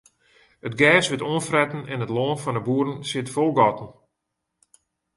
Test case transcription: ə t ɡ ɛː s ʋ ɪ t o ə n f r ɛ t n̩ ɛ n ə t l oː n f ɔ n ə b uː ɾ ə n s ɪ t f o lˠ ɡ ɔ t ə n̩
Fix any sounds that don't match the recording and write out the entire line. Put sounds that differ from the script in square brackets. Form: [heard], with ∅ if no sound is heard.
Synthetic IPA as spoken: ə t ɡ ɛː s ʋ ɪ t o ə n f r ɛ t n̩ ɛ n ə t l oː n f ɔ n ə b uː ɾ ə n s ɪ t f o lˠ ɡ ɔ t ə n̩